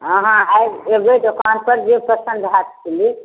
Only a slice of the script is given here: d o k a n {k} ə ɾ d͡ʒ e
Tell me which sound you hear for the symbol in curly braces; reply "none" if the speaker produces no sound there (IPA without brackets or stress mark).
p